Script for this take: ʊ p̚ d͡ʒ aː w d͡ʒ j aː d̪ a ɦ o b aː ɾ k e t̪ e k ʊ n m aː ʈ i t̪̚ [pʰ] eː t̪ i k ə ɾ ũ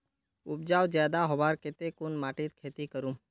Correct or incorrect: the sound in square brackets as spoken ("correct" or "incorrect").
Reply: incorrect